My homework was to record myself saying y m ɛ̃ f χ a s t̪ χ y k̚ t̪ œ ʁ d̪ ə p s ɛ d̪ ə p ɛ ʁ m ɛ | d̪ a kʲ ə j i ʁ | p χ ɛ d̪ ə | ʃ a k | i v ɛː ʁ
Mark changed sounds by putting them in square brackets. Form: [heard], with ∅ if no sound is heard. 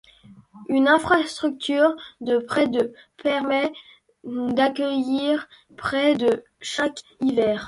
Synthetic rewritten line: y [n] ɛ̃ f χ a s t̪ χ y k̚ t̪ [y] ʁ d̪ ə p [χ] ɛ d̪ ə p ɛ ʁ m ɛ | d̪ a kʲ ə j i ʁ | p χ ɛ d̪ ə | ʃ a k | i v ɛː ʁ